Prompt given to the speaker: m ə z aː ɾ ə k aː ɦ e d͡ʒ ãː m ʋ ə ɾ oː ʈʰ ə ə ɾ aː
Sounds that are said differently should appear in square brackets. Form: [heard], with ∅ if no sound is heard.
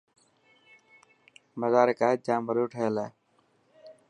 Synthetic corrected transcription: m ə z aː ɾ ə k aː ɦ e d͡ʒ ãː m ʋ ə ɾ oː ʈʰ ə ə [l] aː